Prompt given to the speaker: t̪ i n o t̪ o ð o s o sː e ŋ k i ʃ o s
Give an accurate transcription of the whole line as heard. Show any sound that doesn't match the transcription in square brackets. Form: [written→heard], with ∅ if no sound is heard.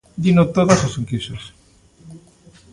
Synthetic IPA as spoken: [t̪→d̪] i n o t̪ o ð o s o [sː→s] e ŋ k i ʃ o s